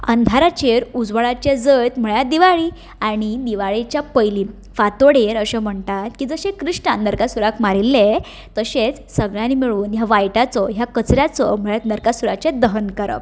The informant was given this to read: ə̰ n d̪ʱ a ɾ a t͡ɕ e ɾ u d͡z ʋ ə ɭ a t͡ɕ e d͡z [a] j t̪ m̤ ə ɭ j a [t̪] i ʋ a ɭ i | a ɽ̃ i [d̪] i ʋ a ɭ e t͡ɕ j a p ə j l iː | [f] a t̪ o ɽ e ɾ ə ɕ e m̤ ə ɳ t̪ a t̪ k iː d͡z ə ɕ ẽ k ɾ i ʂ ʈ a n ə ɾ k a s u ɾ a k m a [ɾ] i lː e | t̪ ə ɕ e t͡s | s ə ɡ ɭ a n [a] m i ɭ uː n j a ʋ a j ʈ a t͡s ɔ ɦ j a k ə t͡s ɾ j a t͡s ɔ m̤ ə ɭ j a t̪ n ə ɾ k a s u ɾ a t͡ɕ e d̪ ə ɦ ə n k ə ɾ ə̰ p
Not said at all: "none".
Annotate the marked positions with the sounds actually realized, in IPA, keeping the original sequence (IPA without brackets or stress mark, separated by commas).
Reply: ə, d̪, d̪, f, ɾ, i